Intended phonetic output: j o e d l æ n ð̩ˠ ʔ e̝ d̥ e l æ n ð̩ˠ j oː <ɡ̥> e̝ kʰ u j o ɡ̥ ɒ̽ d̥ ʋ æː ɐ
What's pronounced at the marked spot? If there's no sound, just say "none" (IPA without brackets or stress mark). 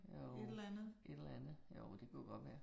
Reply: d̥